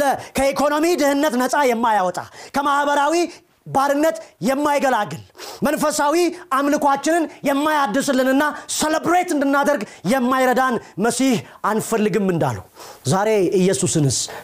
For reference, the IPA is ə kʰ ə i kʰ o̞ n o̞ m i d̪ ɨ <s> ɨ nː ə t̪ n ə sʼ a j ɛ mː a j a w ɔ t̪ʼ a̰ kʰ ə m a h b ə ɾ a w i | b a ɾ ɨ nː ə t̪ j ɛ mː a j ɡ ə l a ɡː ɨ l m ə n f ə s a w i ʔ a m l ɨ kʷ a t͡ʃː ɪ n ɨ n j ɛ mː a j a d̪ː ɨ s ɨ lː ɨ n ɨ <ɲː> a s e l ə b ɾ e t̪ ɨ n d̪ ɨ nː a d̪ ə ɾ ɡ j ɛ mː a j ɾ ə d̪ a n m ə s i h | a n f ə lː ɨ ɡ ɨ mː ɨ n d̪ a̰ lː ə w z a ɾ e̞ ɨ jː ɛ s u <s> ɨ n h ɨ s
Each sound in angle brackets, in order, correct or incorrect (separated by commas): incorrect, incorrect, correct